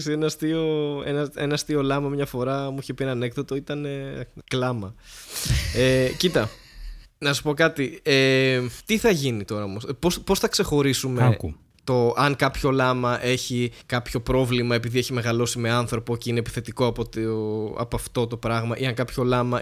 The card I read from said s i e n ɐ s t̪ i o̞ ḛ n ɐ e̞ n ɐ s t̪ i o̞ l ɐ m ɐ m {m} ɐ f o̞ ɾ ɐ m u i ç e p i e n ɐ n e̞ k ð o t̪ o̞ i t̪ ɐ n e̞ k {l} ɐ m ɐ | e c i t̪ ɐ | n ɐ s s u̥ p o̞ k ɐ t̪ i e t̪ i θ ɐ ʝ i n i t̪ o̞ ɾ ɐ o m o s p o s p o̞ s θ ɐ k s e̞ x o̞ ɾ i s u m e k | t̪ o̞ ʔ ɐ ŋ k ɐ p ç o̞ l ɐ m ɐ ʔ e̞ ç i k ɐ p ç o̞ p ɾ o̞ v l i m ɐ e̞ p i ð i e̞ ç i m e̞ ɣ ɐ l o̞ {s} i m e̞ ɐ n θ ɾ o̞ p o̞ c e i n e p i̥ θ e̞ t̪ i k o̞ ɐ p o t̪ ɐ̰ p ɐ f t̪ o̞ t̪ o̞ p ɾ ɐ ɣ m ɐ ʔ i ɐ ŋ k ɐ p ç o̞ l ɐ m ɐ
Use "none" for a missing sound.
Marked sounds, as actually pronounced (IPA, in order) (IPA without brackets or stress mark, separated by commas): ɲ, l, s